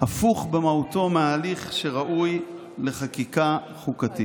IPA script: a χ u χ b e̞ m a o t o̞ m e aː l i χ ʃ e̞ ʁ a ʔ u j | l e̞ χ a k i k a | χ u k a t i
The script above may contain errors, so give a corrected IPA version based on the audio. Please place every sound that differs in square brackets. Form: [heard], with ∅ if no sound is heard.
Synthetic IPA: a [f] u χ b e̞ m a [u] t o̞ m e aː l i χ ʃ e̞ ʁ a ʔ u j | l e̞ χ a k i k a | χ u k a t i